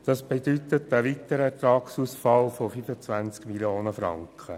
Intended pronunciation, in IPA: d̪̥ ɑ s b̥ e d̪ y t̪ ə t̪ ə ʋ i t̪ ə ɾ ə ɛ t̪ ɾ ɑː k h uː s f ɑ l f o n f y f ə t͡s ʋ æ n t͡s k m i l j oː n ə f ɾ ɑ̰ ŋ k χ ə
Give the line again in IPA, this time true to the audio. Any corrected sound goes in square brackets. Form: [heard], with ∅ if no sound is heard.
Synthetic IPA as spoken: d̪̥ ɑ s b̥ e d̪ y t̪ ə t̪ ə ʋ i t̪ ə ɾ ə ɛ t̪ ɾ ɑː k [s] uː s f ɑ l f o [∅] f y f ə t͡s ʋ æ n t͡s k m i l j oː n ə f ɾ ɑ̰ ŋ k χ ə